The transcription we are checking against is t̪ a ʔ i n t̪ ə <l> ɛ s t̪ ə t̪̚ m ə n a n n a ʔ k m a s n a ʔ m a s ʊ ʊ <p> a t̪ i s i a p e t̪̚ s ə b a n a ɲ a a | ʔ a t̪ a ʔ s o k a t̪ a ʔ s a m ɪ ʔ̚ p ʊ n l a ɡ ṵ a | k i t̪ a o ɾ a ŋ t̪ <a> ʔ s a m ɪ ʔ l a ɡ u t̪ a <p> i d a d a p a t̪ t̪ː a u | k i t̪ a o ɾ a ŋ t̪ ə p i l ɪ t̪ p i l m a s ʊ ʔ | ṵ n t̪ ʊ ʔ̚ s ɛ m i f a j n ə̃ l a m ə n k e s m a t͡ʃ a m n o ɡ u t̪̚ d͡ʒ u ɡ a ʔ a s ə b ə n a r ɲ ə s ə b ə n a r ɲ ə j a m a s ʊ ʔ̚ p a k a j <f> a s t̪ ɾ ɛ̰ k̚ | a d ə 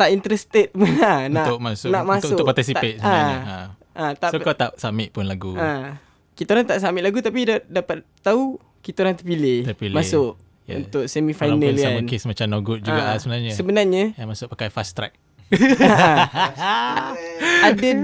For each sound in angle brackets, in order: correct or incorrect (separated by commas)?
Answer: incorrect, correct, correct, correct, correct